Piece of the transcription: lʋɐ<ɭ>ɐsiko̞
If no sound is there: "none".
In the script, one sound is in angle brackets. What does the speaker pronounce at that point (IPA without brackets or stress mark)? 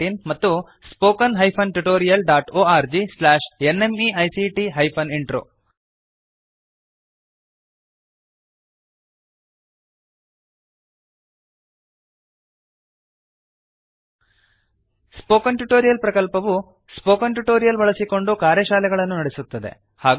ɭ